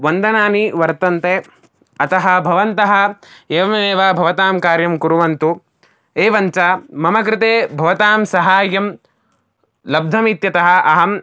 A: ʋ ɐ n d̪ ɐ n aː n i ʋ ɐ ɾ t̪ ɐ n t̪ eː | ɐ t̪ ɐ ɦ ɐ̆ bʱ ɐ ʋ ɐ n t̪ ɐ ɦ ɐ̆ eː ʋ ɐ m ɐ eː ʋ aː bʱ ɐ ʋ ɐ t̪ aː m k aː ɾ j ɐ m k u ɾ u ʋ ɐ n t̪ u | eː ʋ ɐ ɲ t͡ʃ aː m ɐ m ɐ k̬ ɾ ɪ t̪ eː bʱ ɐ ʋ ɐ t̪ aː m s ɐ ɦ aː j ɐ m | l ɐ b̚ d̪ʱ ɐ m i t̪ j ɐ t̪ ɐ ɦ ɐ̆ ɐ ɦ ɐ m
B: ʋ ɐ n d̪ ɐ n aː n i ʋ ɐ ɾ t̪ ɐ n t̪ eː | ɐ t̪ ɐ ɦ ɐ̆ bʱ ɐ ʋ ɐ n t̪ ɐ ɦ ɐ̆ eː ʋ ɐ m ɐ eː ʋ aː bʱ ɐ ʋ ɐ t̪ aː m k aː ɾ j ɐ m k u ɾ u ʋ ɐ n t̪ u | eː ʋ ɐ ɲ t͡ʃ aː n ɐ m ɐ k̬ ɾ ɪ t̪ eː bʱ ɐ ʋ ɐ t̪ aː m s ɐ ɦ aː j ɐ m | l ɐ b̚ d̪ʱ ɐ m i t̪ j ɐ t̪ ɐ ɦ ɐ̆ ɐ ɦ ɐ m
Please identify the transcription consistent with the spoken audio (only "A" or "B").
A